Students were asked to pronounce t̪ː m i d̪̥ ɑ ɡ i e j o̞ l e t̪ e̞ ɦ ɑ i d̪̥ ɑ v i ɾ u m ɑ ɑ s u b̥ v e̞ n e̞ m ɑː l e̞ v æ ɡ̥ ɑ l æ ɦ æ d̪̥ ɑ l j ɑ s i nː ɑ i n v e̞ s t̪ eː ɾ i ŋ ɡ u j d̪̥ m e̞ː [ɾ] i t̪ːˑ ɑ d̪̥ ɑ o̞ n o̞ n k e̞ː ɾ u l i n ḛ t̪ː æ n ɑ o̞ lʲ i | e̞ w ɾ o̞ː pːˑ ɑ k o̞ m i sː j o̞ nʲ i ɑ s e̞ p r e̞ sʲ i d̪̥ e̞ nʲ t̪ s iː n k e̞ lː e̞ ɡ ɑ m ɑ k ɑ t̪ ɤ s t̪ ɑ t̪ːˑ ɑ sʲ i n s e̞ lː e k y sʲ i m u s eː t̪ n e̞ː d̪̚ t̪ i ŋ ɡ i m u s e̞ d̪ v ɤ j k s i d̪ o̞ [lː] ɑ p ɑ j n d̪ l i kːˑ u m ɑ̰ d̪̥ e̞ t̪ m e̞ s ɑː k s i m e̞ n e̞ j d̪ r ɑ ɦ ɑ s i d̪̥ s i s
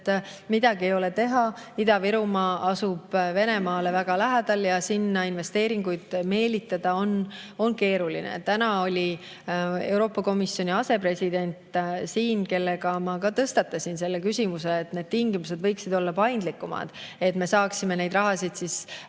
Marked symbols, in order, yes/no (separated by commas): no, yes